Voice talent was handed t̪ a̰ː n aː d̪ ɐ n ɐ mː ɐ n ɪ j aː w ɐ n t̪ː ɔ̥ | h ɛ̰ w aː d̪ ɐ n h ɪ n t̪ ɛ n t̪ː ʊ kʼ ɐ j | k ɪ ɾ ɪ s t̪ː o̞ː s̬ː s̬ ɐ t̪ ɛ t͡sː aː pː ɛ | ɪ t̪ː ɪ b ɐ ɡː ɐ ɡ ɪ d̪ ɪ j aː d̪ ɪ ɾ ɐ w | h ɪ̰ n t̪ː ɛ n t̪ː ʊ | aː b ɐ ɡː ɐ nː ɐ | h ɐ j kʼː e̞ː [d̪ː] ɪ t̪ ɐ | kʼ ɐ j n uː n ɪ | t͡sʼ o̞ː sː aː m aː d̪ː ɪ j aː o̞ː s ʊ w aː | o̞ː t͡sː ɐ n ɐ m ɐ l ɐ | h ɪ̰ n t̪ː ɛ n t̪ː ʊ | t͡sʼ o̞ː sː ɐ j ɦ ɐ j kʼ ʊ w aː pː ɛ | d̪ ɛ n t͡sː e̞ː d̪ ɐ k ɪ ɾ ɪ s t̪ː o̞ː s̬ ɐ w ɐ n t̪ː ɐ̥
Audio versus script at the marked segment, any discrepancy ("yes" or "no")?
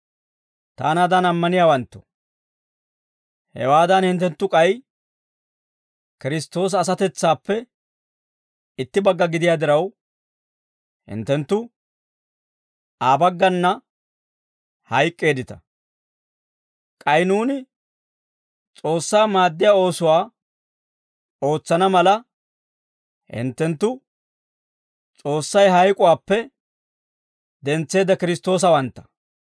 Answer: yes